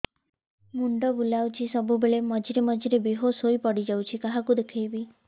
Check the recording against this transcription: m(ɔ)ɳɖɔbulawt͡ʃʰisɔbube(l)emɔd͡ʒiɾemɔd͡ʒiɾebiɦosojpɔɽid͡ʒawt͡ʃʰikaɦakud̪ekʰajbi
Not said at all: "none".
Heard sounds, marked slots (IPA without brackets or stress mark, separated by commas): u, ɭ